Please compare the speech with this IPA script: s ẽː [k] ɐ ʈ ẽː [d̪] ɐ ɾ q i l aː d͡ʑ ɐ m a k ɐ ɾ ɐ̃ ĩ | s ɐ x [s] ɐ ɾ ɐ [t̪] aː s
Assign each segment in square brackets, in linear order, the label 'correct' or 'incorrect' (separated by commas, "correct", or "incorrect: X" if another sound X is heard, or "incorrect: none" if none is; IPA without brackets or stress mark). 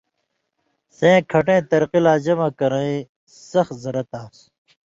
incorrect: kʰ, incorrect: t̪, incorrect: z, correct